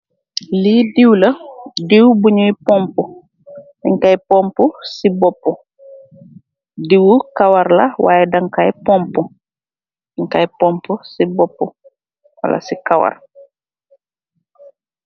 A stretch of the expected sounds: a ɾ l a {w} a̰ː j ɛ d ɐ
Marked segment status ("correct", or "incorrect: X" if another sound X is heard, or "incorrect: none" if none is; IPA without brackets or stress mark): correct